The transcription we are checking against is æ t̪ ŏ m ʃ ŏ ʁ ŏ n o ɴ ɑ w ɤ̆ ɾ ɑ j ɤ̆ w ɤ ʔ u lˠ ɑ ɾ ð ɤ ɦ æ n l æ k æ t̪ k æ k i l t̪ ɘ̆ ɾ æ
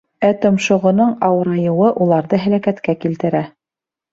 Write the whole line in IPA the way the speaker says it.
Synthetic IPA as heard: æ t̪ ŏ m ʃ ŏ ʁ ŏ n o ɴ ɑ w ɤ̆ ɾ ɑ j ɤ̆ w ɤ ʔ u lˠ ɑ ɾ ð ɤ ɦ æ l æ k æ t̪ k æ k i l t̪ ɘ̆ ɾ æ